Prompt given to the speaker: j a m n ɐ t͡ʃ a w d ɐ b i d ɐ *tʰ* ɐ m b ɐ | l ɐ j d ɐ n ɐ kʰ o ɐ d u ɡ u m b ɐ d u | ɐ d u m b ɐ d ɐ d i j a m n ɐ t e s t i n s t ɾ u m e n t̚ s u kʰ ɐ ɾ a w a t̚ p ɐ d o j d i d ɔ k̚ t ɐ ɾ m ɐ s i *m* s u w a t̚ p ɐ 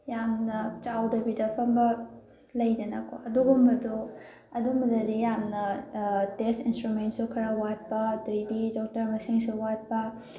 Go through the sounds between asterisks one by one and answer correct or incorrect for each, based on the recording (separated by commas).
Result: incorrect, incorrect